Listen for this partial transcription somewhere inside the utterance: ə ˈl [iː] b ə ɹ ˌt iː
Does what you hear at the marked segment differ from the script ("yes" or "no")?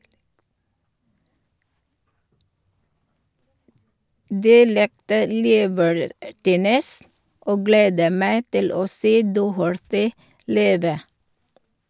no